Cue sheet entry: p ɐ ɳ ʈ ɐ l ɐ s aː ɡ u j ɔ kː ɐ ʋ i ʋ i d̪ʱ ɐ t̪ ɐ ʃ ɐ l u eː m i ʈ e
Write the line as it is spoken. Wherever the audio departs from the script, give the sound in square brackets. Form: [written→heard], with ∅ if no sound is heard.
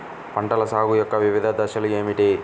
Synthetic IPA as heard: p ɐ ɳ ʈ ɐ l ɐ s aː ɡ u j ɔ kː ɐ ʋ i ʋ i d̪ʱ ɐ [t̪→d̪] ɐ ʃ ɐ l u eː m i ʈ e